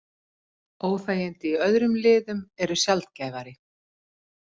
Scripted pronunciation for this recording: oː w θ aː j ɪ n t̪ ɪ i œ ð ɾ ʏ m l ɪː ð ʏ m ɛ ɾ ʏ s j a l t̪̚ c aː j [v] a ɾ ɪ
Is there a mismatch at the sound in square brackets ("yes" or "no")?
no